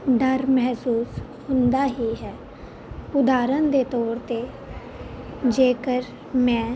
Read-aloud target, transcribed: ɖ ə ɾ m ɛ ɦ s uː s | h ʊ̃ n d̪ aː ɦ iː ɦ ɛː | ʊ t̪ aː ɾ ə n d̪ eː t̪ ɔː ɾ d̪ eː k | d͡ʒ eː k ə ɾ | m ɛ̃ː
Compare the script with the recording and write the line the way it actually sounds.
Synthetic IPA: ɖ ə ɾ m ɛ ɦ s uː s | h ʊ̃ n d̪ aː ɦ iː ɦ ɛː | ʊ d̪ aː ɾ ə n d̪ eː t̪ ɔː ɾ t̪ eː | d͡ʒ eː k ə ɾ | m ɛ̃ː